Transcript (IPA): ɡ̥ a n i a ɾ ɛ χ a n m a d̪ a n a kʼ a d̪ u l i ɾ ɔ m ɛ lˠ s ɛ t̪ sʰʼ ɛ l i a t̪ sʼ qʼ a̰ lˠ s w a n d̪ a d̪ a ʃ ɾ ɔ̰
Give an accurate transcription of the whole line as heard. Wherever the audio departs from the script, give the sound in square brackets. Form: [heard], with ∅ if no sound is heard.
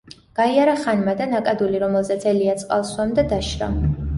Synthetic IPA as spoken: ɡ̥ a [∅] i a ɾ [a] χ a n m a d̪ a n a kʼ a d̪ u l i ɾ ɔ m ɛ lˠ [z] ɛ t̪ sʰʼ ɛ l i a t̪ sʼ qʼ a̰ lˠ s w a [m] d̪ a d̪ a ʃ ɾ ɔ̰